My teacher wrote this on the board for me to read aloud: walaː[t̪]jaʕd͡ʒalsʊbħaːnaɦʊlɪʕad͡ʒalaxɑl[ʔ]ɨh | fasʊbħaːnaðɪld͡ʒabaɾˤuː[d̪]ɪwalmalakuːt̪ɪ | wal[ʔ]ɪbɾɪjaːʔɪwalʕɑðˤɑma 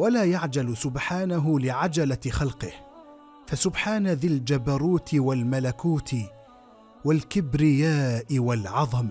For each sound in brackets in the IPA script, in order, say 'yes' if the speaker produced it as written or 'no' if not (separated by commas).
no, no, no, no